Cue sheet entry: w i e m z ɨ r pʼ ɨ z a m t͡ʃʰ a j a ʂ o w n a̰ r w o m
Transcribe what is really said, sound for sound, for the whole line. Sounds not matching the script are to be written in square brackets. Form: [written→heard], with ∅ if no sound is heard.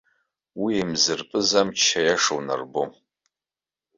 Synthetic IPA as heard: w i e m z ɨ r pʼ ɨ z a m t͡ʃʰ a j a ʂ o w n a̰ r [w→b] o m